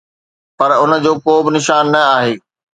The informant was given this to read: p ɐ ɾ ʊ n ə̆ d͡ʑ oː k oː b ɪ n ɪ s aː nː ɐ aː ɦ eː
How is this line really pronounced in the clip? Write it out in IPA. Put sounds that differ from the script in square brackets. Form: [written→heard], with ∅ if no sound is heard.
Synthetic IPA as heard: p ɐ ɾ ʊ n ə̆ d͡ʑ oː k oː b ɪ n ɪ [s→ʃ] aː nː ɐ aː ɦ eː

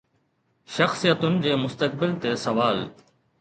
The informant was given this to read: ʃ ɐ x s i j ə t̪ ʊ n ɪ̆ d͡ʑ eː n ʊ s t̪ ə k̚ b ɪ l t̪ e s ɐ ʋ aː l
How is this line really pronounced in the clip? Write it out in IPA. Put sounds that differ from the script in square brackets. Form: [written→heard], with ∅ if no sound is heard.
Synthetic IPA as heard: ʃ ɐ x s i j ə t̪ ʊ n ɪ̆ d͡ʑ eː [n→m] ʊ s t̪ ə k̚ b ɪ l t̪ e s ɐ ʋ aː l

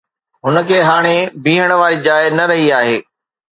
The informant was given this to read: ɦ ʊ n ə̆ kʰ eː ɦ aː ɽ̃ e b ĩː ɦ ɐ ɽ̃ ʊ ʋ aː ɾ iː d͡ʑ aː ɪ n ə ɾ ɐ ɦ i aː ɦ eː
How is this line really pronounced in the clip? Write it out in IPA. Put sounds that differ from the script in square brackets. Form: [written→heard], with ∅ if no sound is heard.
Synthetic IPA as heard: ɦ ʊ n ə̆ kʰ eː ɦ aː ɽ̃ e b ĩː ɦ [ɐ→ə] ɽ̃ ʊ ʋ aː ɾ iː d͡ʑ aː ɪ n [ə→ɐ] ɾ ɐ ɦ i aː ɦ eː

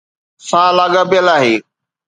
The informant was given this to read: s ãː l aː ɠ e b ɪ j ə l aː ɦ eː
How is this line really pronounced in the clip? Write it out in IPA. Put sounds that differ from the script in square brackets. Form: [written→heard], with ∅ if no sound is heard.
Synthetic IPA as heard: s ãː l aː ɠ [e→a] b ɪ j ə l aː ɦ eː

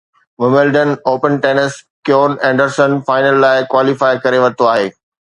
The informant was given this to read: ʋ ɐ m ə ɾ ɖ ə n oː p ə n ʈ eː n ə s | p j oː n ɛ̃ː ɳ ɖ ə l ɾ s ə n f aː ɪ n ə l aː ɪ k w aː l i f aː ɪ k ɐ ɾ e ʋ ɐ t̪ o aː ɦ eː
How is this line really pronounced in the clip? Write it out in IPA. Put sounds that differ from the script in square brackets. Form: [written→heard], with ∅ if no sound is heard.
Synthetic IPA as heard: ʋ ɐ m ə [ɾ→l] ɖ ə n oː p ə n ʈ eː n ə s | [p→k] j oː n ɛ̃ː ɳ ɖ ə [l→∅] ɾ s ə n f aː ɪ n ə [l→lː] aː ɪ k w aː l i f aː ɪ k ɐ ɾ e ʋ ɐ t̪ o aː ɦ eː

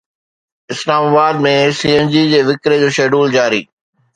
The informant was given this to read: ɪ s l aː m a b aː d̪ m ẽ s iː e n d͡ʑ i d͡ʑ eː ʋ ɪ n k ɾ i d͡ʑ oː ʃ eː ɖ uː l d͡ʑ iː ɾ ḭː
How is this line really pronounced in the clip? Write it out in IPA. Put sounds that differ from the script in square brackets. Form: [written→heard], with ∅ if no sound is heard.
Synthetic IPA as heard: ɪ s l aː m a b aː d̪ m ẽ s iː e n d͡ʑ i d͡ʑ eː ʋ ɪ [n→∅] k ɾ [i→e] d͡ʑ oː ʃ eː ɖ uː l d͡ʑ [iː→aː] ɾ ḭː

